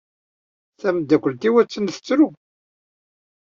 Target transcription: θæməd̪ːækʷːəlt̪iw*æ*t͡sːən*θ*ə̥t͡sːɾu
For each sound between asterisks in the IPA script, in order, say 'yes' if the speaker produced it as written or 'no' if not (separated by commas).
yes, yes